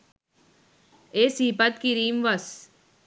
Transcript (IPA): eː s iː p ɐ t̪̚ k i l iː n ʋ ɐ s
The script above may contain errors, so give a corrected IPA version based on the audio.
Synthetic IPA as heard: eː s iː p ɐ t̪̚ k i ɾ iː m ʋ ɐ s